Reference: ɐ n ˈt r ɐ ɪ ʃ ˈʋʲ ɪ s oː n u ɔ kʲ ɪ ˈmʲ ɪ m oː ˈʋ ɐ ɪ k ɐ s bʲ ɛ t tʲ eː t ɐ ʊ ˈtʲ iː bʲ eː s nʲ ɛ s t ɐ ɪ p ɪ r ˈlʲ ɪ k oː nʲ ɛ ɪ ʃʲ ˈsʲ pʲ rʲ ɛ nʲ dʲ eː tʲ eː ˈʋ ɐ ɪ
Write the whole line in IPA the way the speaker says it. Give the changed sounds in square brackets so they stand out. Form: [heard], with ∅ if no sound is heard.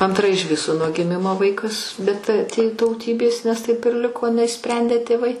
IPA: ɐ n ˈt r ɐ ɪ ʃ ˈʋʲ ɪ s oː n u ɔ [ɡʲ] ɪ ˈmʲ ɪ m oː ˈʋ ɐ ɪ k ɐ s bʲ ɛ t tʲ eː t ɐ ʊ ˈtʲ iː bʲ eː s nʲ ɛ s t ɐ ɪ p ɪ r ˈlʲ ɪ k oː nʲ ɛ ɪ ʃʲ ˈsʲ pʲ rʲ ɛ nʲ dʲ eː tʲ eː ˈʋ ɐ ɪ